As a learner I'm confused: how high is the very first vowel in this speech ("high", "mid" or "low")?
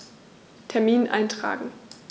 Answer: mid